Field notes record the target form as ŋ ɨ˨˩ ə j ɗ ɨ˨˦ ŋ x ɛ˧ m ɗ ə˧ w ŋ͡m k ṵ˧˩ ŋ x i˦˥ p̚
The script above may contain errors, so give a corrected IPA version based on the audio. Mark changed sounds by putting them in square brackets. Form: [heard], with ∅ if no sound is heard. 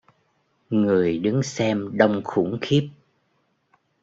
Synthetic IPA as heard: ŋ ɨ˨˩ ə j ɗ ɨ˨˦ ŋ [s] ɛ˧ m ɗ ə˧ w ŋ͡m [x] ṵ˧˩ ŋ x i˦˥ p̚